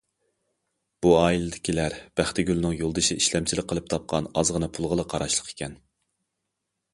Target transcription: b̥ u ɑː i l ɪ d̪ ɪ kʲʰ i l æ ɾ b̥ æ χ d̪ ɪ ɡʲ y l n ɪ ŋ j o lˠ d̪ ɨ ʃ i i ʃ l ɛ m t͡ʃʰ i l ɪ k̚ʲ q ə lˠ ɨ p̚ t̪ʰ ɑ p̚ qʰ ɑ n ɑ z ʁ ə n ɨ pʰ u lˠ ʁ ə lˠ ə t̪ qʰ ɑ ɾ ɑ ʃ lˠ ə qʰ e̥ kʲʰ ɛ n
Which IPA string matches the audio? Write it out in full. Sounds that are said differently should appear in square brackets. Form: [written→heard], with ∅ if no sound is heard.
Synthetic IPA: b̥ u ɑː i l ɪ d̪ ɪ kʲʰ i l æ ɾ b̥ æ χ [d̪→t̪] ɪ ɡʲ y l n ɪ ŋ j o lˠ d̪ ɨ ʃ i i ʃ l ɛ m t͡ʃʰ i l ɪ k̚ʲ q ə lˠ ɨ p̚ t̪ʰ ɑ p̚ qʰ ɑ n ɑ z ʁ ə n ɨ pʰ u lˠ ʁ ə lˠ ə [t̪→∅] qʰ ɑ ɾ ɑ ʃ lˠ ə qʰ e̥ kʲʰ ɛ n